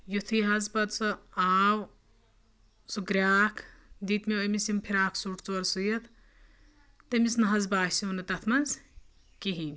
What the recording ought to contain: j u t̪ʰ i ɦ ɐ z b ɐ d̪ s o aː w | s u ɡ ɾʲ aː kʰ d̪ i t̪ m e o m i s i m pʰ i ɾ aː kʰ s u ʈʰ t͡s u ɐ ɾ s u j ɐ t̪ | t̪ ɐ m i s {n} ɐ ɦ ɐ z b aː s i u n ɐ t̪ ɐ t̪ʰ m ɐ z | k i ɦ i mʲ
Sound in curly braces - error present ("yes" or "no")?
no